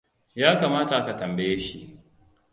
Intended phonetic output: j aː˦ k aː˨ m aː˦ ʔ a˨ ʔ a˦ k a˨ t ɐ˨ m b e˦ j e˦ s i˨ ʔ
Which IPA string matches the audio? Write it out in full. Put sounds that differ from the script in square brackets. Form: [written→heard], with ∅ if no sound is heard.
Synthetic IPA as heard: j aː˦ k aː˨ m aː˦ [ʔ→t] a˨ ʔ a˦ k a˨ t ɐ˨ m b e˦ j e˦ [s→ʃ] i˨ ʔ